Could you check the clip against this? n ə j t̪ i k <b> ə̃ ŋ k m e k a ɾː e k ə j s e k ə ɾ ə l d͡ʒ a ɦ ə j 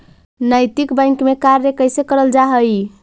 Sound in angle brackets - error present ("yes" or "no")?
no